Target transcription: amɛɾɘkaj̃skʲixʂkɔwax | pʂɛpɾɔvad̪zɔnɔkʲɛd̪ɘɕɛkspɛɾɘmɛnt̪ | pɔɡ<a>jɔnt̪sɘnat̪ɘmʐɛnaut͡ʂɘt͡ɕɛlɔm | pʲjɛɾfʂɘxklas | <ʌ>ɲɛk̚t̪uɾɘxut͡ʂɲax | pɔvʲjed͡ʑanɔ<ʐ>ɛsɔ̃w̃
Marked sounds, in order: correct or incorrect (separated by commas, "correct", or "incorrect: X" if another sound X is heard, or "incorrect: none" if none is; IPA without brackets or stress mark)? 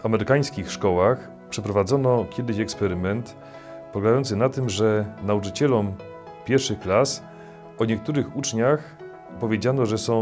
correct, incorrect: ɔ, correct